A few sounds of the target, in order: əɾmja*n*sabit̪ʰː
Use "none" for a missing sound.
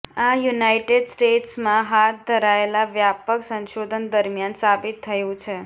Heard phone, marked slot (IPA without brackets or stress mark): n